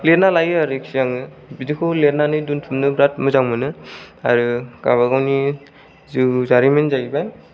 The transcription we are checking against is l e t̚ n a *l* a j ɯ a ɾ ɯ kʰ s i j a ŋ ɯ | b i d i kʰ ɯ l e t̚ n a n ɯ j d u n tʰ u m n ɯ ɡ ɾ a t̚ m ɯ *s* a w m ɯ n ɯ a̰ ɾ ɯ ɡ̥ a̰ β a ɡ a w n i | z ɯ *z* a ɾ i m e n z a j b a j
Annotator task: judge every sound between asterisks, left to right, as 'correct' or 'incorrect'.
correct, incorrect: z, correct

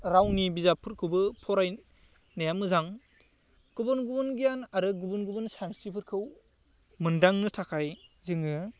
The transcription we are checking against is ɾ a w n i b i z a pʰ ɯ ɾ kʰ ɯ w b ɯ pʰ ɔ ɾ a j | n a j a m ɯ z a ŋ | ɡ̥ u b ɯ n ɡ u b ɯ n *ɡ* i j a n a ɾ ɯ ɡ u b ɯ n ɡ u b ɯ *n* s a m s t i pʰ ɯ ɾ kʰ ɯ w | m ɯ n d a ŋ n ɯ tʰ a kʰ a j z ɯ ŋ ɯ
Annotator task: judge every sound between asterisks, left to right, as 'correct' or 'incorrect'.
correct, correct

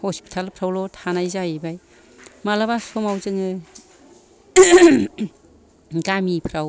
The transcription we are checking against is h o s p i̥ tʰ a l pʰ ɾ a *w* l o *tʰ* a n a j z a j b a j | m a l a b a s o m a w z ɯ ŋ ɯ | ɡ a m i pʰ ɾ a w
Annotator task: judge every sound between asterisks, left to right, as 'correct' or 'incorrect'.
correct, correct

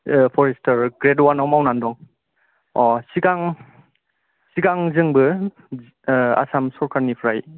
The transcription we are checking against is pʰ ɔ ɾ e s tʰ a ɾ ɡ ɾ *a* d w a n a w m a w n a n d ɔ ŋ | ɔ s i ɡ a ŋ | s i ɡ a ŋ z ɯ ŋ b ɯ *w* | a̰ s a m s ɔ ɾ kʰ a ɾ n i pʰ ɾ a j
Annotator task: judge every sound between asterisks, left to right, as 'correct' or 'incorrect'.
incorrect: e, incorrect: none

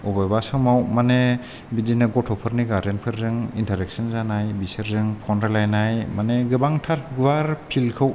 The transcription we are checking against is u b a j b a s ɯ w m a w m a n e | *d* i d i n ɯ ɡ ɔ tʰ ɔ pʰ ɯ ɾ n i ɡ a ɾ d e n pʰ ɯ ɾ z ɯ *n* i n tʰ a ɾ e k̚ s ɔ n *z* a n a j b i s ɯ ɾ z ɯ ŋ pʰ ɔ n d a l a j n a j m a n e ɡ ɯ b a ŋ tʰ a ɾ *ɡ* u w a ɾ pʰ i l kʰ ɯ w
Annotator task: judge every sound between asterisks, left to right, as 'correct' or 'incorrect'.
incorrect: b, incorrect: ŋ, correct, correct

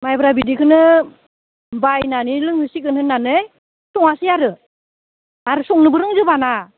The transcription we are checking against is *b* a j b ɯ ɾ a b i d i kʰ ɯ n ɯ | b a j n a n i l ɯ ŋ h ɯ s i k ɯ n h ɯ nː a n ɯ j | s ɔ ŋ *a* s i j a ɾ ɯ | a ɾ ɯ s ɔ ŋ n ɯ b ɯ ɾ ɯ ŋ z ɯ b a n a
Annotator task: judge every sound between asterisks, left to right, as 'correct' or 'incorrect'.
incorrect: m, correct

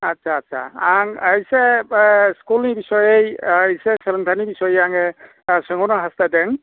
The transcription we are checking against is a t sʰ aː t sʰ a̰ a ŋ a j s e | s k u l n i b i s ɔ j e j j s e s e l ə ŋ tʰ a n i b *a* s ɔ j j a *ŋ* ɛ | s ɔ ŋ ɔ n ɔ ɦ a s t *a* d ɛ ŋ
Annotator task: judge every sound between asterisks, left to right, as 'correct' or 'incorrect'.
incorrect: i, correct, correct

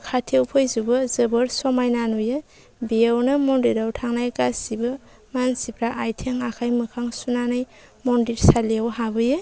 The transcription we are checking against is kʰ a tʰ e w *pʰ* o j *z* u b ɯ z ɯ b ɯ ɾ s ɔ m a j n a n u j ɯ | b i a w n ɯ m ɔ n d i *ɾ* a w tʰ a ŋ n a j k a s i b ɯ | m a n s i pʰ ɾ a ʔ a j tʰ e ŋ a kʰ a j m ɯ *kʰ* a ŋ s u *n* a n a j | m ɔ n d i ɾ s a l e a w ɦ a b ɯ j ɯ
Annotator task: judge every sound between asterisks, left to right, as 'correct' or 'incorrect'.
correct, correct, correct, correct, correct

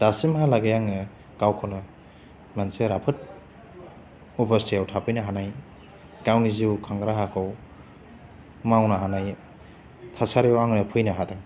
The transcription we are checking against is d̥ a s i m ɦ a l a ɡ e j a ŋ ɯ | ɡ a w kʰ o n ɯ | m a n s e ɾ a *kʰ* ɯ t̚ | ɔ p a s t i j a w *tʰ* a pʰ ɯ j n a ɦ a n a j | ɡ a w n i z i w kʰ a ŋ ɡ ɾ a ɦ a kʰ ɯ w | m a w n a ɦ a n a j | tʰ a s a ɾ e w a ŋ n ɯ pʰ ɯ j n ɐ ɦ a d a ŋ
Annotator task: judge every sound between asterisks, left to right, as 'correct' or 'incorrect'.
incorrect: pʰ, correct

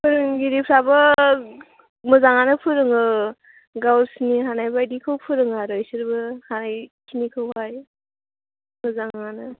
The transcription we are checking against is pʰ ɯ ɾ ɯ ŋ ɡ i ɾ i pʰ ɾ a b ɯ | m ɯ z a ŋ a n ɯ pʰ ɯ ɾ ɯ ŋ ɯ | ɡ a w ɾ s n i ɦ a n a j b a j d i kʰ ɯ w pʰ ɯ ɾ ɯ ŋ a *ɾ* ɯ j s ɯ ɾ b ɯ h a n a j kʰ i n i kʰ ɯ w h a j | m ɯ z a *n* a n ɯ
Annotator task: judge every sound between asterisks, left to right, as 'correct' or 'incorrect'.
correct, incorrect: ŋ

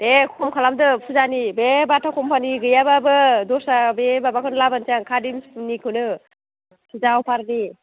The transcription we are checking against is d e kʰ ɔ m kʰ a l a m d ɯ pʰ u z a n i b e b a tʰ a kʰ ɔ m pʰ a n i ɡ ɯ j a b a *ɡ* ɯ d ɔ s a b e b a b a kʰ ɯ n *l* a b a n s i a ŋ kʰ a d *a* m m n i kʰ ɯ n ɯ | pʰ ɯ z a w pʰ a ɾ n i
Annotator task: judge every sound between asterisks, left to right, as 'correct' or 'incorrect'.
incorrect: b, correct, incorrect: i

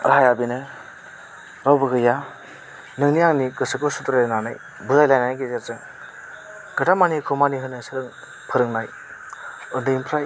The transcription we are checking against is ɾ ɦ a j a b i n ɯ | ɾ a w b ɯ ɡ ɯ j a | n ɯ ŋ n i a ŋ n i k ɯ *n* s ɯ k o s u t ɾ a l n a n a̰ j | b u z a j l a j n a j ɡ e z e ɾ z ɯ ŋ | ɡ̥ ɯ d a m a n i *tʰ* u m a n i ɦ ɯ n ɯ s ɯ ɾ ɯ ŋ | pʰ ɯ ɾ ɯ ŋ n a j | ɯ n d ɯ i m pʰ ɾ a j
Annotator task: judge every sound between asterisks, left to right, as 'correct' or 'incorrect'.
incorrect: none, incorrect: kʰ

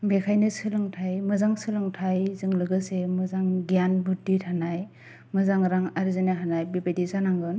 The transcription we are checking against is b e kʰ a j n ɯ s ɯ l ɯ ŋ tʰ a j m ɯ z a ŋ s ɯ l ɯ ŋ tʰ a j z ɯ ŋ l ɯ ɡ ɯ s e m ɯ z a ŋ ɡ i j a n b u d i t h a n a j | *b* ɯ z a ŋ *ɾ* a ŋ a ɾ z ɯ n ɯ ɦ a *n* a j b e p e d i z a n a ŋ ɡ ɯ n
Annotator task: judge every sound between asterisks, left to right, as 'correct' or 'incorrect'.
incorrect: m, correct, correct

